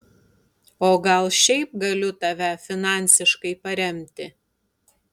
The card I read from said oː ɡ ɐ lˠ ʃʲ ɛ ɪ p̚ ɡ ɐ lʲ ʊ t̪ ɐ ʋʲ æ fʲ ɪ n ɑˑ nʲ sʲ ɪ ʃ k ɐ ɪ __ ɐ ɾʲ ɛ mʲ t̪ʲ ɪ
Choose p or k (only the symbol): p